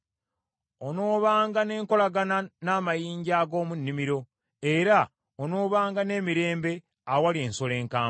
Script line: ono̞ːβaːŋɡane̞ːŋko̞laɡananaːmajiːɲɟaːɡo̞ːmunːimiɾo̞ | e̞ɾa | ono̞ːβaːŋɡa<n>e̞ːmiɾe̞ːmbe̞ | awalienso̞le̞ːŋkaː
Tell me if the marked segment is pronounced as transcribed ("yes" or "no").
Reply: yes